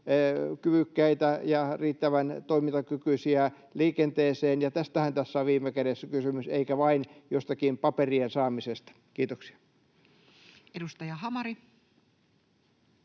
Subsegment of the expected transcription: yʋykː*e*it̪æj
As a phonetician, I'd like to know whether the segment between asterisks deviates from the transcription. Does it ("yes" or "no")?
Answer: yes